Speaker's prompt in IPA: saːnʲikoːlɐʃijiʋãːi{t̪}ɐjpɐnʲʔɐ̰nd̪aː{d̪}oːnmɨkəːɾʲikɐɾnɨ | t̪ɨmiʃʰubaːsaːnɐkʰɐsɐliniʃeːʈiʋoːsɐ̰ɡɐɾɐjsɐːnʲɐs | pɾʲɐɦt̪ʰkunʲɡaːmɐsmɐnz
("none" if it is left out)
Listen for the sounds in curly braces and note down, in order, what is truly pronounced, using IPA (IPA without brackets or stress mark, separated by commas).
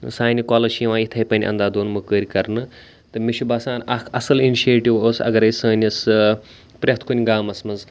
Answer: t̪ʰ, d̪